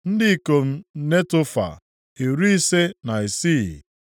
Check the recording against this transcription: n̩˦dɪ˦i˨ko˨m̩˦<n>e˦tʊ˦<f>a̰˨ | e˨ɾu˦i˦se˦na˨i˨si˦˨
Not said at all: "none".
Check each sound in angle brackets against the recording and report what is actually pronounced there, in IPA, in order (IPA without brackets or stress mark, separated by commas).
n, f